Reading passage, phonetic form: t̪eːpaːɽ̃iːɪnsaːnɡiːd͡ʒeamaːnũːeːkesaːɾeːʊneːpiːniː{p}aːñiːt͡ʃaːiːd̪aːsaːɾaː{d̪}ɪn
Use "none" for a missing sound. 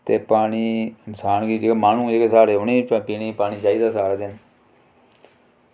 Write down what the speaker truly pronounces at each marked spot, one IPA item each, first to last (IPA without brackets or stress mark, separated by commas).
p, d̪